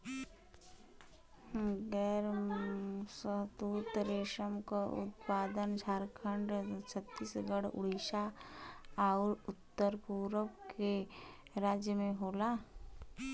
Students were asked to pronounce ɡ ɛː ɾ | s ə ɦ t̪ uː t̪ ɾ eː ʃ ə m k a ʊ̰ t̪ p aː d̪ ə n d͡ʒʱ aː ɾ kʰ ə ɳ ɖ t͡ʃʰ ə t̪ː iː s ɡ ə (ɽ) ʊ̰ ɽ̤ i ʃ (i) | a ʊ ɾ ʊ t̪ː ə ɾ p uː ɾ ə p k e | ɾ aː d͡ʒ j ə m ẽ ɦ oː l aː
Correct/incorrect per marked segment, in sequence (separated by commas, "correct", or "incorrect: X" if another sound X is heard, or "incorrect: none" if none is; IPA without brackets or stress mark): correct, incorrect: a